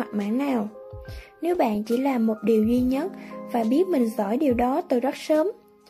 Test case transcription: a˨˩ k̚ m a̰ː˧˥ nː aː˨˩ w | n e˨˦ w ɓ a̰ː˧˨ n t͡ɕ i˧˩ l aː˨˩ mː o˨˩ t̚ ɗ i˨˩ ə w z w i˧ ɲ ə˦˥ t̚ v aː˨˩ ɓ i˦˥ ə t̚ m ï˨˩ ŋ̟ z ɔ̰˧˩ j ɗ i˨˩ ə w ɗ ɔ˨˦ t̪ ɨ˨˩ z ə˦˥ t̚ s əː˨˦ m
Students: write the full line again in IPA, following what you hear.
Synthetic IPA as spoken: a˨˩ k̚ m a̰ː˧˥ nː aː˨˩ w | n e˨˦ w ɓ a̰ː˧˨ n t͡ɕ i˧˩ l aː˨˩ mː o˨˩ t̚ ɗ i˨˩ ə w z w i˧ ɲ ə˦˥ t̚ v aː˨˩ ɓ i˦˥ ə t̚ m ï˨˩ ŋ̟ z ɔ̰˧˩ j ɗ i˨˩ ə w ɗ ɔ˨˦ t̪ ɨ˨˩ z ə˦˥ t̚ s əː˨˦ m